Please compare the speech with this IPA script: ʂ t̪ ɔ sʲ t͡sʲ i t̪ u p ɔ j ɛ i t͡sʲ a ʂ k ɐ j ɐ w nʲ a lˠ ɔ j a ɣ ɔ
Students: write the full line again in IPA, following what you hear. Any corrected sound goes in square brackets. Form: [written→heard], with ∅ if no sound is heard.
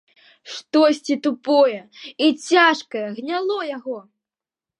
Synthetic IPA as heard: ʂ t̪ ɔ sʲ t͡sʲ i t̪ u p ɔ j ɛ i t͡sʲ a ʂ k ɐ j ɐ [w→ɣ] nʲ a lˠ ɔ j a ɣ ɔ